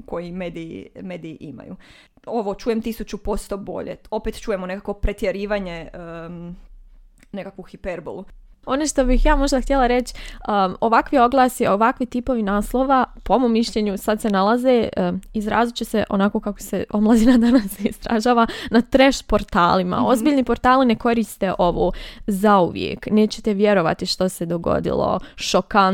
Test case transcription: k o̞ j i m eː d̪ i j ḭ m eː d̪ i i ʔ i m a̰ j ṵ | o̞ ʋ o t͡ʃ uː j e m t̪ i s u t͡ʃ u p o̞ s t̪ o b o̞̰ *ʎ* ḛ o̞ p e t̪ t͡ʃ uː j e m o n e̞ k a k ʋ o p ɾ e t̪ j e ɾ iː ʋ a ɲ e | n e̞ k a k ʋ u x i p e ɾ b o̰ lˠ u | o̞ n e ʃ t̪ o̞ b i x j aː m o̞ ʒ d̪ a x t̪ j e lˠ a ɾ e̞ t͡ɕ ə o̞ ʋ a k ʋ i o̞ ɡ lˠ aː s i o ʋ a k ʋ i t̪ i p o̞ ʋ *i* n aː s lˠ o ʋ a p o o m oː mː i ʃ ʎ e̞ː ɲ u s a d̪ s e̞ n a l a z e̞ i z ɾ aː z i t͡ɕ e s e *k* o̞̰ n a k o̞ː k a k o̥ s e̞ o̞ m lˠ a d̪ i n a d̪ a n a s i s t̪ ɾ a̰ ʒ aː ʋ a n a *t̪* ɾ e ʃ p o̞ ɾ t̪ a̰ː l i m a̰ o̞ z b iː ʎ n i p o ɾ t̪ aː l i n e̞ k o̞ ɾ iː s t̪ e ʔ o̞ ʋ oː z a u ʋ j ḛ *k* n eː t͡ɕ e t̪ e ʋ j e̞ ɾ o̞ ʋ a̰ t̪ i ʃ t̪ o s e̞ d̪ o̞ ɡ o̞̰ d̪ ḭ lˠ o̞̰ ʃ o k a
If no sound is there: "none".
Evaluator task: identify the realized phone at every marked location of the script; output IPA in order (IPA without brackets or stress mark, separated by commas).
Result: ʎ, i, ʔ, t̪, k